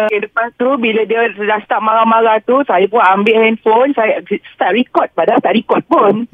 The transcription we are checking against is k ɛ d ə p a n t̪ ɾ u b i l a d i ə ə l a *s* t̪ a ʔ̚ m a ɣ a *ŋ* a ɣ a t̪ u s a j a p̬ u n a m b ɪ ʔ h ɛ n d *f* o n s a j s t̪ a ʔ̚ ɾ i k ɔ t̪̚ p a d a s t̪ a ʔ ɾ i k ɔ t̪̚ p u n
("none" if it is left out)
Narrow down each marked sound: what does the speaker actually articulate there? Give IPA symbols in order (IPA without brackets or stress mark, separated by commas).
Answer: s, m, f